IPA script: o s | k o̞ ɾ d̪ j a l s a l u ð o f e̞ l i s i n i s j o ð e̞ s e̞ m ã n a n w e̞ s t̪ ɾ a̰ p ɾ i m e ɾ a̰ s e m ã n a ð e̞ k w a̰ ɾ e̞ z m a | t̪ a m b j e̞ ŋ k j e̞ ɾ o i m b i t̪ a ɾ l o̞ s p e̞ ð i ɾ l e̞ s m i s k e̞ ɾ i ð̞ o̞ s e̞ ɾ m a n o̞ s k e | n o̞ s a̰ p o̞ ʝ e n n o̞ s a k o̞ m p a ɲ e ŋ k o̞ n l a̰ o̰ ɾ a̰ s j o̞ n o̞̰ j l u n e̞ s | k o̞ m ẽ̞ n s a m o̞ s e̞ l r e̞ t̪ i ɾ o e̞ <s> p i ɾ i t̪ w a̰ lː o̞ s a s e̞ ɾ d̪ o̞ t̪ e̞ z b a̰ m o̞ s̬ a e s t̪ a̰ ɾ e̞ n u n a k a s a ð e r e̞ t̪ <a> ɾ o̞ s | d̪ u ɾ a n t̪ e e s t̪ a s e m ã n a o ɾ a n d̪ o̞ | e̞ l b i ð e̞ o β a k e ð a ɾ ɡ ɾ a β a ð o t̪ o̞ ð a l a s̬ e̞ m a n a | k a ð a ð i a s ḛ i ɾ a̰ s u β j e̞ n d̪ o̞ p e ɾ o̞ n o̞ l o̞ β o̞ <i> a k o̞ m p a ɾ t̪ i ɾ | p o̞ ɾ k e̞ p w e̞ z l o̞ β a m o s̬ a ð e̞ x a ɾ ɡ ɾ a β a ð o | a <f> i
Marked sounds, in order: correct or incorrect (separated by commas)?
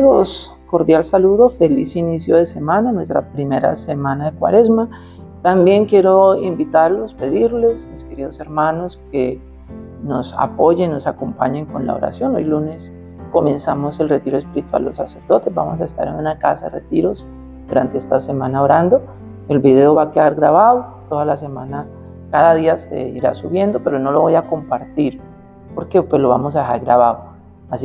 correct, incorrect, incorrect, incorrect